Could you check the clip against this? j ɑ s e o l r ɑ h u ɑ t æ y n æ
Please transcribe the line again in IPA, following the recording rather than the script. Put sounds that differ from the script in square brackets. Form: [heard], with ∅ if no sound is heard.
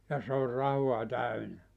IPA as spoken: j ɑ s e o [r] r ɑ h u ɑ t æ y n æ